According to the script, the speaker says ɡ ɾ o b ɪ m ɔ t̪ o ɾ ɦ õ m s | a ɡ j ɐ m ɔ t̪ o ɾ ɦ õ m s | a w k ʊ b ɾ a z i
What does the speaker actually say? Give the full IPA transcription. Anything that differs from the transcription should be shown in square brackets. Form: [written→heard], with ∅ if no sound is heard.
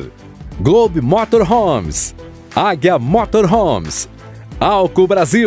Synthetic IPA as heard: ɡ [ɾ→l] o b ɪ m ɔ t̪ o ɾ ɦ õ m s | a ɡ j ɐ m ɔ t̪ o ɾ ɦ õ m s | a w k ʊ b ɾ a z i

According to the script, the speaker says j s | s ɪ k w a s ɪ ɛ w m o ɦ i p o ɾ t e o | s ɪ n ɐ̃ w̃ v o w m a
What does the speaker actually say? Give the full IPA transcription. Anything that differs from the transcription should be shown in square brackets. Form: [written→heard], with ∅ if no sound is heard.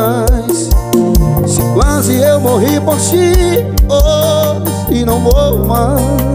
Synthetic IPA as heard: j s | s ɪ k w a [s→z] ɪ [ɛ→e] w m o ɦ i p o ɾ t [e→i] o | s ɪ n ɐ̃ w̃ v o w m a

